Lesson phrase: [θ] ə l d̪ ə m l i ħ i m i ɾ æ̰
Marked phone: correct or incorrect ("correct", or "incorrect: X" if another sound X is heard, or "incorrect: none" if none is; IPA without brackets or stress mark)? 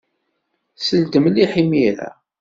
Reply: incorrect: s